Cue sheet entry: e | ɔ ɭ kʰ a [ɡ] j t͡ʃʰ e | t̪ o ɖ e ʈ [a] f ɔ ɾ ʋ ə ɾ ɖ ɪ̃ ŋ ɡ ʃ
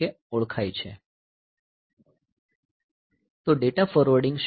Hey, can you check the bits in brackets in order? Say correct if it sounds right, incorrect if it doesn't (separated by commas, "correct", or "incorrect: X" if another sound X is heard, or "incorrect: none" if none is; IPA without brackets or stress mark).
incorrect: none, correct